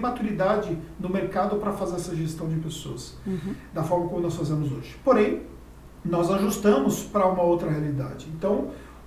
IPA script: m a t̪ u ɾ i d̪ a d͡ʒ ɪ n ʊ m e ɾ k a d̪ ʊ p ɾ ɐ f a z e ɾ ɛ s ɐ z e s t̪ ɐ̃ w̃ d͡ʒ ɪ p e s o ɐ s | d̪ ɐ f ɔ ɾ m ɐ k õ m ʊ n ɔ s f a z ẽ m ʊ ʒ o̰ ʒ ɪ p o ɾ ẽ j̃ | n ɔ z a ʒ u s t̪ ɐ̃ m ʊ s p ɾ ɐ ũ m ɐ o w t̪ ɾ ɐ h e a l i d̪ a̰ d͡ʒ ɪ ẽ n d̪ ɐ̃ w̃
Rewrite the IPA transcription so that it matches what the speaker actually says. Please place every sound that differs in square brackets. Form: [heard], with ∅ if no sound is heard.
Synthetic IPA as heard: m a t̪ u ɾ i d̪ a d͡ʒ ɪ n ʊ m e ɾ k a d̪ ʊ p ɾ ɐ f a z e ɾ ɛ s ɐ [ʒ] e s t̪ ɐ̃ w̃ d͡ʒ ɪ p e s o ɐ s | d̪ ɐ f ɔ ɾ m ɐ k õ m ʊ n ɔ s f a z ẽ m ʊ [z] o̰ ʒ ɪ p o ɾ ẽ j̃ | n ɔ z a ʒ u s t̪ ɐ̃ m ʊ s p ɾ ɐ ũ m ɐ o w t̪ ɾ ɐ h e a l i d̪ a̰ d͡ʒ ɪ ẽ n [t̪] ɐ̃ w̃